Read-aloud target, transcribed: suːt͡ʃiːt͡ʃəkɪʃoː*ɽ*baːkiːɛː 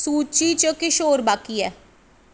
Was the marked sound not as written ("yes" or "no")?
yes